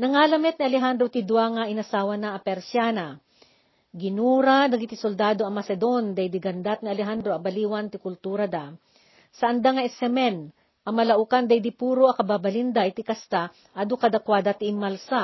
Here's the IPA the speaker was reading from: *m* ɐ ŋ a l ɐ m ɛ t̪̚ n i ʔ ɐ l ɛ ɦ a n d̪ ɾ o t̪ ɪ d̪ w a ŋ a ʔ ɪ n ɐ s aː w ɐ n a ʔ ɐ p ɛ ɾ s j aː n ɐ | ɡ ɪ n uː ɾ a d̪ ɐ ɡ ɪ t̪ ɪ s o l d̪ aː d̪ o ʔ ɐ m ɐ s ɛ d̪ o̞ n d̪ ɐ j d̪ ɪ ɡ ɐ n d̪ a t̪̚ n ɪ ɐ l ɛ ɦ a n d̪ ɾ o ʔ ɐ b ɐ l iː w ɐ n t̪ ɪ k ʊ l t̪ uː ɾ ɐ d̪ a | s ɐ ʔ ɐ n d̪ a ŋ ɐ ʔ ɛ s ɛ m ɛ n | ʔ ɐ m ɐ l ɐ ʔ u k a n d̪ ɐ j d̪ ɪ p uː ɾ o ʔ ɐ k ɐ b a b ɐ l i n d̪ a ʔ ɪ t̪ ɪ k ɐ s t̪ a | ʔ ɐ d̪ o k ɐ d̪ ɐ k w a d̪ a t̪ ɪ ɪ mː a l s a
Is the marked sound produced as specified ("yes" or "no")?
no